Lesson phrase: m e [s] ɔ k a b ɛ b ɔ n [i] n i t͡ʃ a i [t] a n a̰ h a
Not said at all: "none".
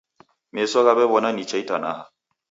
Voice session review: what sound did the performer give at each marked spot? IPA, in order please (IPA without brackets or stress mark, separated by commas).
s, a, t